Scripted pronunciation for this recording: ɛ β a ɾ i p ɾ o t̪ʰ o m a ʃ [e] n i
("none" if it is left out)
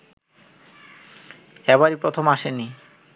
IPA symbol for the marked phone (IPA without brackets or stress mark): e